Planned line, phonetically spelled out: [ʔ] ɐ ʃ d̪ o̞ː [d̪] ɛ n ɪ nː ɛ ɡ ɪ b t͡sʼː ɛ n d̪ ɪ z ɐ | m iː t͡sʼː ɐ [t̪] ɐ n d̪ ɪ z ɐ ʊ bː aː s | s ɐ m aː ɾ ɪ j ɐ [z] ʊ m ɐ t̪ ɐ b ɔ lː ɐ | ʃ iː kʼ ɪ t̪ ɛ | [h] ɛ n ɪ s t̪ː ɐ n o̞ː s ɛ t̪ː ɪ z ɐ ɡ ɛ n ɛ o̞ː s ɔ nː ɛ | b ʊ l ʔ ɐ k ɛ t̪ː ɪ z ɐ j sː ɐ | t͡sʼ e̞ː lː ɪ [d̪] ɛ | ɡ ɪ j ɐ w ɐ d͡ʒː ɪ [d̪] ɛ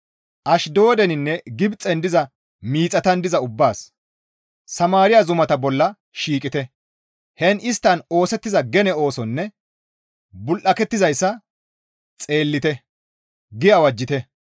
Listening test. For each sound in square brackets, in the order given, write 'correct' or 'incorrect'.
correct, correct, correct, correct, correct, incorrect, incorrect

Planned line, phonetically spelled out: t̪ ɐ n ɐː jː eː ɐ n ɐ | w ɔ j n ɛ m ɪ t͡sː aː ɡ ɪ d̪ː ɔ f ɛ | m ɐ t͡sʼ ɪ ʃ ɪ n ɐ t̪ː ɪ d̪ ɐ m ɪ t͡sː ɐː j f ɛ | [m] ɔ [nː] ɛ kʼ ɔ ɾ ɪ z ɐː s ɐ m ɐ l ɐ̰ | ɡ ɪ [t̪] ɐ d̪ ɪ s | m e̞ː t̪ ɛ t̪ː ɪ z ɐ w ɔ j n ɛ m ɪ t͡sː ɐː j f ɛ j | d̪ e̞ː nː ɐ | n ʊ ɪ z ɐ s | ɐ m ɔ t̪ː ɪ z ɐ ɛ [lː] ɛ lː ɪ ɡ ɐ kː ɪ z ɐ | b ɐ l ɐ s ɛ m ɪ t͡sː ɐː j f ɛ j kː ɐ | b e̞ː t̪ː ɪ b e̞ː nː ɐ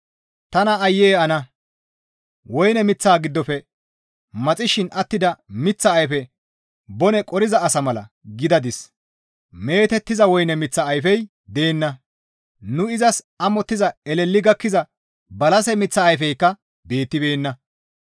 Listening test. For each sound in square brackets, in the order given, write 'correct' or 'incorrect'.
incorrect, incorrect, incorrect, incorrect

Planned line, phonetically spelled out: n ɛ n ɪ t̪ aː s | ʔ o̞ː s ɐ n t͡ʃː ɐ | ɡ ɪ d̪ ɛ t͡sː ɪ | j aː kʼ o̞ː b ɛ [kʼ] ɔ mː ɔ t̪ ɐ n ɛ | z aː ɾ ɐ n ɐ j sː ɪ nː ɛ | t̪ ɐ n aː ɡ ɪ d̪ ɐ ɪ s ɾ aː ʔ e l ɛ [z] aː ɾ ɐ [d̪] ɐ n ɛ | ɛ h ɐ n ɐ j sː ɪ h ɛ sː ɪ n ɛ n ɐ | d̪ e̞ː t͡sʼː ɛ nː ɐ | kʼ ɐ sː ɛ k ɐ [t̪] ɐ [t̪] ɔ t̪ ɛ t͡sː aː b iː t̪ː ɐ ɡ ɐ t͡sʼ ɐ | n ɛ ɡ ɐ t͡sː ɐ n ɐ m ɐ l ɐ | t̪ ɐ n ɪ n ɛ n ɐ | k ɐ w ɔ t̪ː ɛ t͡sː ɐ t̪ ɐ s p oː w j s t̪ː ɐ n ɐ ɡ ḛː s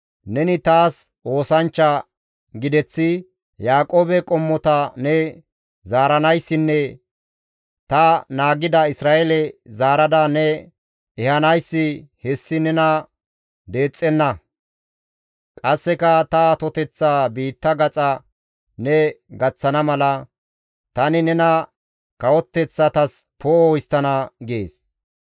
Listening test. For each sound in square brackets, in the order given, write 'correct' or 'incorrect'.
correct, correct, correct, correct, correct

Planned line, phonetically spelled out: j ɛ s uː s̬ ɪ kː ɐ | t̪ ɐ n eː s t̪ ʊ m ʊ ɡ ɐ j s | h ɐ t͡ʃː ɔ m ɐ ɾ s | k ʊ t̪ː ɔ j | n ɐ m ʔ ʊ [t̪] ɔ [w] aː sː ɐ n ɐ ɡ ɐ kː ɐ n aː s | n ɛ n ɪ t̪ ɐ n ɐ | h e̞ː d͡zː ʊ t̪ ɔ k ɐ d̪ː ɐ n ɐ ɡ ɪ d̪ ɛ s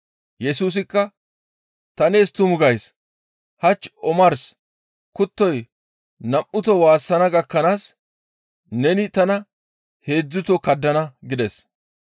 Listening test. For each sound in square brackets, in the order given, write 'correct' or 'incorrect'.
correct, correct

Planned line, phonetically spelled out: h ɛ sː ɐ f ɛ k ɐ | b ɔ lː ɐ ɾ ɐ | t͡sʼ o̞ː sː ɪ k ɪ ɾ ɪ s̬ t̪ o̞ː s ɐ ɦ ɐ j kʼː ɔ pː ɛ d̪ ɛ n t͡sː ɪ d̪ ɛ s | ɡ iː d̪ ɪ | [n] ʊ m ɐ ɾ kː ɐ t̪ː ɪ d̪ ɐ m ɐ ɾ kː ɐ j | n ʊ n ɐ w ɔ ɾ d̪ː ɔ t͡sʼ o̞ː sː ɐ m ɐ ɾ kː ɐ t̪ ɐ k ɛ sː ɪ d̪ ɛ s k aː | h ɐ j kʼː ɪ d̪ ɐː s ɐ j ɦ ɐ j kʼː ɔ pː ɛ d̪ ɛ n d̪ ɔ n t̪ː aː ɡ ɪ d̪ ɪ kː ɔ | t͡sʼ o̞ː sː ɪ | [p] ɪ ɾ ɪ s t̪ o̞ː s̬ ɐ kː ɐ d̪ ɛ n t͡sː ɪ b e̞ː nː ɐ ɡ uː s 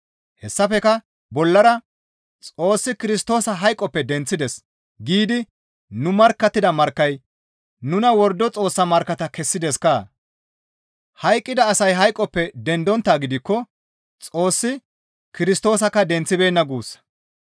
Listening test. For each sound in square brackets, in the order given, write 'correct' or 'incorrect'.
correct, incorrect

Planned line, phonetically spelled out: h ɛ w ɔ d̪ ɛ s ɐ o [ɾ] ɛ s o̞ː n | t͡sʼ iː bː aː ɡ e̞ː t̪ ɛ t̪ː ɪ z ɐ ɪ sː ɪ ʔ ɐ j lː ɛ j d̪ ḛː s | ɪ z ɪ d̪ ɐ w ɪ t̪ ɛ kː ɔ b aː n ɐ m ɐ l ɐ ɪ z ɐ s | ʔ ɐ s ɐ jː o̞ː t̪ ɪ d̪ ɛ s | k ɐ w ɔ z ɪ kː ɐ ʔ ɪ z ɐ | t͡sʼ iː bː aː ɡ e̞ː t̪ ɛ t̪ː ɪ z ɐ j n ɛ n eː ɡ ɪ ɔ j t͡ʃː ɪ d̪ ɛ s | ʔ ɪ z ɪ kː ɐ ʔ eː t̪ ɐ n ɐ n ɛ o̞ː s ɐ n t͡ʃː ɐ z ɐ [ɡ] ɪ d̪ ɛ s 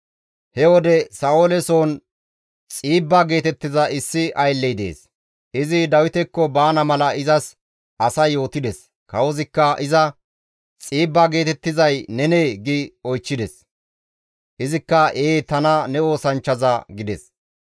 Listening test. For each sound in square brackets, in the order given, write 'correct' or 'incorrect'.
incorrect, correct

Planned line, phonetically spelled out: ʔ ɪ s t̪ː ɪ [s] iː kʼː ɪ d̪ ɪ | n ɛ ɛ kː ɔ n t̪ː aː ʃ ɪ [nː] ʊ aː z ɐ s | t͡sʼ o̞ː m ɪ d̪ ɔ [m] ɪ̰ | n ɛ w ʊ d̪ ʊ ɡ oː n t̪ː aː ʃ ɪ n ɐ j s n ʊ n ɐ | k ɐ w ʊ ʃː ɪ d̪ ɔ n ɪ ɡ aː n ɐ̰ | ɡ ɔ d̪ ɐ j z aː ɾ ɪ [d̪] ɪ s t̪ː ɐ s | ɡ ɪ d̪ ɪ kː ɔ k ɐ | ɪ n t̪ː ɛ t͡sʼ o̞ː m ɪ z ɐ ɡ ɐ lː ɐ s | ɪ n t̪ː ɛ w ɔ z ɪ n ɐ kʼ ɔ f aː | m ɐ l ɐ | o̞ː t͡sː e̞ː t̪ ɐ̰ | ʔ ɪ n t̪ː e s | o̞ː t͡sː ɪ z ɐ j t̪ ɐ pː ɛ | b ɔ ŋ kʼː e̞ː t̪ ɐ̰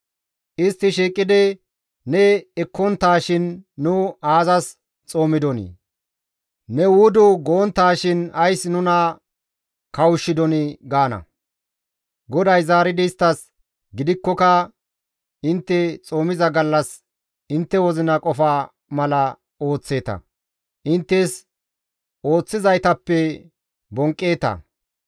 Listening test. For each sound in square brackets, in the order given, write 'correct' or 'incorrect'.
incorrect, correct, incorrect, correct

